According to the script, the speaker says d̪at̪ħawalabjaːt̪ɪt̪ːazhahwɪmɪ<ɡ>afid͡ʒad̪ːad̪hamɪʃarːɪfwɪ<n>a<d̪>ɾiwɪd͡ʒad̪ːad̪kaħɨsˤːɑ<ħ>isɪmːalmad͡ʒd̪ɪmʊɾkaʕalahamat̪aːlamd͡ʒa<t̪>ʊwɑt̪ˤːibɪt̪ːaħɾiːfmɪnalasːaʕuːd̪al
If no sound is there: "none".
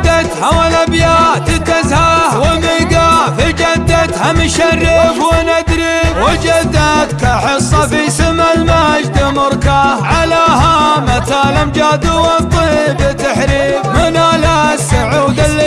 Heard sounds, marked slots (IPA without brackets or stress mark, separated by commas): ɡ, n, d̪, f, d̪